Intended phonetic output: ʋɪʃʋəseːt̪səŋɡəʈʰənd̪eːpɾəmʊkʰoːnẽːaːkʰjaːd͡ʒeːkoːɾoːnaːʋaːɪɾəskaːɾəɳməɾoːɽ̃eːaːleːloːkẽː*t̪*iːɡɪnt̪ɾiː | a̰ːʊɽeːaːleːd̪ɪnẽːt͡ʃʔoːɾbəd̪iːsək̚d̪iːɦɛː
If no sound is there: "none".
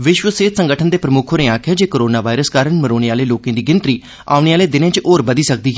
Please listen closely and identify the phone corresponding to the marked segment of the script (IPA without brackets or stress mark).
d̪